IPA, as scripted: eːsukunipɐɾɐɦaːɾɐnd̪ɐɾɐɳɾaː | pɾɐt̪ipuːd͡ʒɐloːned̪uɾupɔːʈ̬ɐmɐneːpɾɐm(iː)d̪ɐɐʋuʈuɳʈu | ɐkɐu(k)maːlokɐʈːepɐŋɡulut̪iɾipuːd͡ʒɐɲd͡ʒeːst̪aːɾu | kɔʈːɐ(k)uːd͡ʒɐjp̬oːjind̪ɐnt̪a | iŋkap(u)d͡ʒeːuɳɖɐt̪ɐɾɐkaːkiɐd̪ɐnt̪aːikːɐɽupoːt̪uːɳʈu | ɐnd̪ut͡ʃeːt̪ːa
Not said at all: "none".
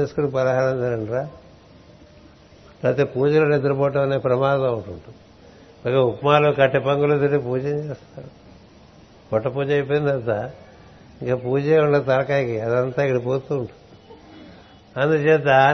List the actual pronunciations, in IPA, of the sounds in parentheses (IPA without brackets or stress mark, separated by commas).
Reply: aː, p, p, uː